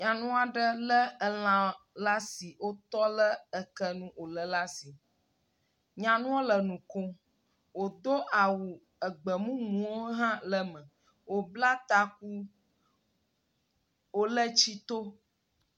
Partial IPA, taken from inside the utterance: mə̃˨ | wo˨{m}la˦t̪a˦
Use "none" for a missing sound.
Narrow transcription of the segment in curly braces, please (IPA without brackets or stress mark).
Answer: b